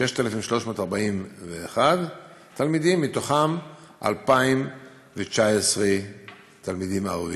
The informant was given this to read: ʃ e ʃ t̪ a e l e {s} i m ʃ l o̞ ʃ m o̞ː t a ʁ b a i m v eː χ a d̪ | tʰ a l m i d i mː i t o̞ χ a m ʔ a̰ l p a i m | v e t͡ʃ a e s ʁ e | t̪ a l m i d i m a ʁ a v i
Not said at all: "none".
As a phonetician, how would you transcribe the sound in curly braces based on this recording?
f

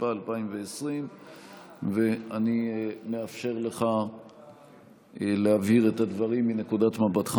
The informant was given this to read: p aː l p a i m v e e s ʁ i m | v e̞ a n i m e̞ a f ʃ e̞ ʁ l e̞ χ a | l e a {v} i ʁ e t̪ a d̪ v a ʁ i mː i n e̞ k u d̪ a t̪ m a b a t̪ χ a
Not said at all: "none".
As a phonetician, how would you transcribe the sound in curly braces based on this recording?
v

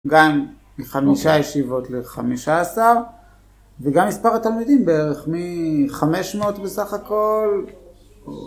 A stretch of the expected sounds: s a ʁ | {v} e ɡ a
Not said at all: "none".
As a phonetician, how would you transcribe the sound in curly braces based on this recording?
v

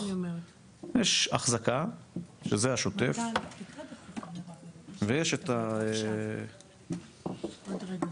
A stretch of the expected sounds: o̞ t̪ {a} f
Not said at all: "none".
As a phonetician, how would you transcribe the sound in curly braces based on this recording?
e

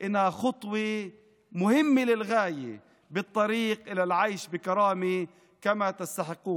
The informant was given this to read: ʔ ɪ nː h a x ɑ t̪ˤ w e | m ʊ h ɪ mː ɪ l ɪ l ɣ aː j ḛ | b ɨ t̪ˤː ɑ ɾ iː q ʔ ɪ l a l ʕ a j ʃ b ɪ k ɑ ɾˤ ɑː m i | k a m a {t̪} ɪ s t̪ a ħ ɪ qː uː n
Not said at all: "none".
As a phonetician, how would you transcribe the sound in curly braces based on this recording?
t̪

